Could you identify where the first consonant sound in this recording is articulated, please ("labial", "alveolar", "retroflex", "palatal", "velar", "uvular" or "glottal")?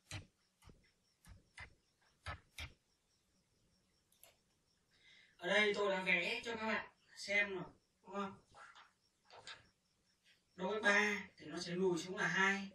glottal